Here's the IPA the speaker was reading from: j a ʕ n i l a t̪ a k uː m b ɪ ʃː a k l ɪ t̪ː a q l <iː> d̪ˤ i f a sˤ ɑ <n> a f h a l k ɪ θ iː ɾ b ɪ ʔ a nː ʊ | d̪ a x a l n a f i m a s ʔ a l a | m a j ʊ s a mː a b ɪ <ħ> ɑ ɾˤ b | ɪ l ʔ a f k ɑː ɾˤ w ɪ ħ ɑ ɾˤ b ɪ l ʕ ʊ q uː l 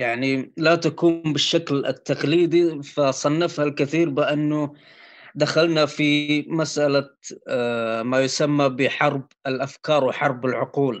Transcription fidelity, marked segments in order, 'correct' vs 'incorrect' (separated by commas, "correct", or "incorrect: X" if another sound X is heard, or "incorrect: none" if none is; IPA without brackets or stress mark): correct, incorrect: nː, correct